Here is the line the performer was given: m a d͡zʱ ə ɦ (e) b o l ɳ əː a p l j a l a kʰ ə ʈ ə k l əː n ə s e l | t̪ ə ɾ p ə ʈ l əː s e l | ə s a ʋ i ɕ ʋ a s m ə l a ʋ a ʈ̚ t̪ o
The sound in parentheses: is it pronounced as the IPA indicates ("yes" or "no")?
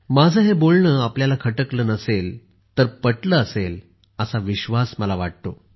yes